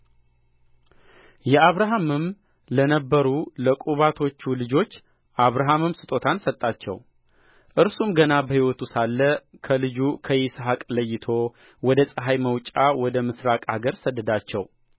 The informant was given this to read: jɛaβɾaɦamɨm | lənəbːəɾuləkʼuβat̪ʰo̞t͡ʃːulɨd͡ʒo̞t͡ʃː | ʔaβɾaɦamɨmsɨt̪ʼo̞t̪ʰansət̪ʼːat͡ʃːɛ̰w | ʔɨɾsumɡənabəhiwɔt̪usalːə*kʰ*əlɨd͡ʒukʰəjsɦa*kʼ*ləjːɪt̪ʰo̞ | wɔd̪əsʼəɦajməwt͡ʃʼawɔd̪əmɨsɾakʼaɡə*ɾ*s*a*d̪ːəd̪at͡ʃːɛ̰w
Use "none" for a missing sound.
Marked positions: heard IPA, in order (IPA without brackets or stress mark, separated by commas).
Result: kʰ, kʼ, ɾ, ə